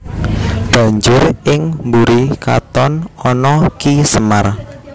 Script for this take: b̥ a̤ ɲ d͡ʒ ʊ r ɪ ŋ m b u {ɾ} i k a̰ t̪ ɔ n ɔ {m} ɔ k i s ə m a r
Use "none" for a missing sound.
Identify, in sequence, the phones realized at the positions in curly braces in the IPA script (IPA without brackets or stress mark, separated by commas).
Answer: ɾ, n